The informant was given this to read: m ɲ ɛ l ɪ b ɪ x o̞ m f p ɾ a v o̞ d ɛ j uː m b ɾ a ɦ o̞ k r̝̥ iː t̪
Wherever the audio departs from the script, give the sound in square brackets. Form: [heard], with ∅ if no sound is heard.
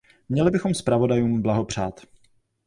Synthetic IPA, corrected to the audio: m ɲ ɛ l ɪ b ɪ x o̞ m [s] p ɾ a v o̞ d [a] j uː m b [l] a ɦ o̞ [p] r̝̥ [aː] t̪

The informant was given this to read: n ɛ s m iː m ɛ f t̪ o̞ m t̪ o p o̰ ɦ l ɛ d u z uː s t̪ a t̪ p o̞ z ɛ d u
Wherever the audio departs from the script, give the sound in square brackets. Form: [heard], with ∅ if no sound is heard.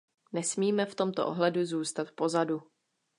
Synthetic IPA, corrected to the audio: n ɛ s m iː m ɛ f t̪ o̞ m t̪ o [ʔ] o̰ ɦ l ɛ d u z uː s t̪ a t̪ p o̞ z [a] d u

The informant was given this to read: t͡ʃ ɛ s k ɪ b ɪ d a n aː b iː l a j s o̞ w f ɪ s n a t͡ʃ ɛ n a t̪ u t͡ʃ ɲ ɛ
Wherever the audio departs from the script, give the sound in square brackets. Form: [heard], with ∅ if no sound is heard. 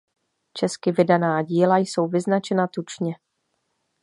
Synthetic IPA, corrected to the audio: t͡ʃ ɛ s k ɪ [v] ɪ d a n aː [ɟ] iː l a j s o̞ w [v] ɪ [z] n a t͡ʃ ɛ n a t̪ u t͡ʃ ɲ ɛ

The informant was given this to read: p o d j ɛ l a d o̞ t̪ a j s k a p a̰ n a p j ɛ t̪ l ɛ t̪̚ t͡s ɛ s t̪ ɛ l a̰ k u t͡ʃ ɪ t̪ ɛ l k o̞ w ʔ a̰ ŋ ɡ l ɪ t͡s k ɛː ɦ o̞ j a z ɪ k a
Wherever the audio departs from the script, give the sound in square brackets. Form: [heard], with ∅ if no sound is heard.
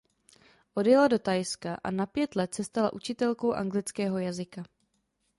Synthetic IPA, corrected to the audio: [ʔ] o d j ɛ l a d o̞ t̪ a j s k a [ʔ] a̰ n a p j ɛ t̪ l ɛ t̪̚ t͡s ɛ s t̪ [a] l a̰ [ʔ] u t͡ʃ ɪ t̪ ɛ l k o̞ w ʔ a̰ ŋ ɡ l ɪ t͡s k ɛː ɦ o̞ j a z ɪ k a

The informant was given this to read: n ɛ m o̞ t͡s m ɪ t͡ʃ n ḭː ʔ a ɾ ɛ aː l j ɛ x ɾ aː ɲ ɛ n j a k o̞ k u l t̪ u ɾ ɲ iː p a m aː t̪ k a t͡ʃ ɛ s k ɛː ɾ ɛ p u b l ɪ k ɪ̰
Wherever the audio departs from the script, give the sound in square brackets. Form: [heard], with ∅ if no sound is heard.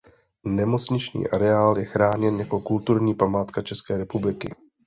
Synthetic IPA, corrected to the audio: n ɛ m o̞ t͡s [ɲ] ɪ t͡ʃ [ɲ] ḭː ʔ a ɾ ɛ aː l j ɛ x ɾ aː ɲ ɛ n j a k o̞ k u l t̪ u ɾ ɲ iː p a m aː t̪ k a t͡ʃ ɛ s k ɛː ɾ ɛ p u b l ɪ k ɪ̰

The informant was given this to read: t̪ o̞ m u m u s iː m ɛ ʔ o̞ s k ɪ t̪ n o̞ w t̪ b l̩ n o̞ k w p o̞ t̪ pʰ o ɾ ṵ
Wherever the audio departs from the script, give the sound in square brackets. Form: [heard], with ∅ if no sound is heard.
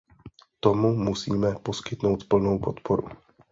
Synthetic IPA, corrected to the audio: t̪ o̞ m u m u s iː m ɛ [p] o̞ s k ɪ t̪ n o̞ w t̪ [p] l̩ n o̞ [∅] w p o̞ t̪ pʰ o ɾ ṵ

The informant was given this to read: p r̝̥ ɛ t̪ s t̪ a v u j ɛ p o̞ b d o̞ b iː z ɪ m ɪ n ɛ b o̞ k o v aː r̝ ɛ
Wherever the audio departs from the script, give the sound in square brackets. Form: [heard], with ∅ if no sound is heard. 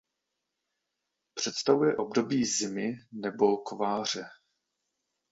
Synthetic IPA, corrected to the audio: p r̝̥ ɛ t̪ s t̪ a v u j ɛ [ʔ] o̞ b d o̞ b iː z ɪ m ɪ n ɛ b o̞ k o v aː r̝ ɛ

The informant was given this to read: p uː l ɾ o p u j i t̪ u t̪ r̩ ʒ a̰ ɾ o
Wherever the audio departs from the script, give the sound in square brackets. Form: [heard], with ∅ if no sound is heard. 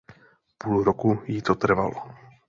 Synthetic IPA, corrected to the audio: p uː l ɾ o [k] u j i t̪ [o] t̪ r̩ [v] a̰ [l] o

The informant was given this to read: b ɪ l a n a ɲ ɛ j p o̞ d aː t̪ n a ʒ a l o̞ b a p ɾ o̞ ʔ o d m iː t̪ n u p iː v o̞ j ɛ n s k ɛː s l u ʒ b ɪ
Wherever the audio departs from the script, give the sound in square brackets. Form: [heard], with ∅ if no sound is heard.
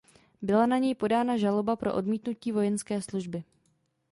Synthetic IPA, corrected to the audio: b ɪ l a n a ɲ ɛ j p o̞ d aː [∅] n a ʒ a l o̞ b a p ɾ o̞ ʔ o d m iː t̪ n u [c] iː v o̞ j ɛ n s k ɛː s l u ʒ b ɪ

